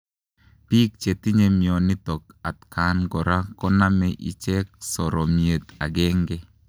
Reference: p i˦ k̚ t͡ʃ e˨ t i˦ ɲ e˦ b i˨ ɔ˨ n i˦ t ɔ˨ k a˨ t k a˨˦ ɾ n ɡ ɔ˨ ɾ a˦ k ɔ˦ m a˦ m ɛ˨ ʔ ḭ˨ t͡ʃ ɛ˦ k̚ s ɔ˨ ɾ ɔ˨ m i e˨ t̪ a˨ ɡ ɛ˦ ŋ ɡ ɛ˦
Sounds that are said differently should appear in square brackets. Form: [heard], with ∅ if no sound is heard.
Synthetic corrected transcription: p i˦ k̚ t͡ʃ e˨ t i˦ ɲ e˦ [m] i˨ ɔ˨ n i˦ t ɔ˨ k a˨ t k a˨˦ [∅] n ɡ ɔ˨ ɾ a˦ k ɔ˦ [n] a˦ m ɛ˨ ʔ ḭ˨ t͡ʃ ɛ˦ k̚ s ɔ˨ ɾ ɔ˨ m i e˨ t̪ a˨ ɡ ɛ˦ ŋ ɡ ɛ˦